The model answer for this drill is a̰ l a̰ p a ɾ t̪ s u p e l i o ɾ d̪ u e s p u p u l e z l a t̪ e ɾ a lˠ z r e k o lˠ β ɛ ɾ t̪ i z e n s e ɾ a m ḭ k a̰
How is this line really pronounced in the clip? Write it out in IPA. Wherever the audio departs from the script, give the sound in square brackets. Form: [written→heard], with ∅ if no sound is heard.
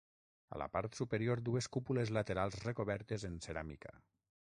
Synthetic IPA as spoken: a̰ l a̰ p a ɾ t̪ s u p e [l→ɾ] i o ɾ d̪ u e s [p→k] u p u l e z l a t̪ e ɾ a lˠ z r e k o [lˠ→∅] β ɛ ɾ t̪ [i→e] z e n s e ɾ a m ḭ k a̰